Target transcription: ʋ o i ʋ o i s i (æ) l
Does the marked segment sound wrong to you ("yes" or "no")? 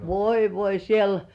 yes